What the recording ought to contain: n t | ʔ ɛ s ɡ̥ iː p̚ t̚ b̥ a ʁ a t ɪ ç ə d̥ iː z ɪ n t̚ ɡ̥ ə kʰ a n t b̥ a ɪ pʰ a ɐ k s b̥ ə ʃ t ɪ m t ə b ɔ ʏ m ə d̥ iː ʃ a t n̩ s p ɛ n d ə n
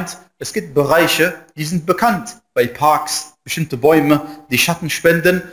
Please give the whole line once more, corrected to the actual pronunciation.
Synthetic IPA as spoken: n t | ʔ ɛ s ɡ̥ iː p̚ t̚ b̥ ə ʁ a ɪ ç ə d̥ iː z ɪ n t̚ b̥ ə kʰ a n t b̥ a ɪ pʰ a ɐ k s b̥ ə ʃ t ɪ m t ə b ɔ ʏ m ə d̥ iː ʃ a t n̩ ʃ p ɛ n d ə n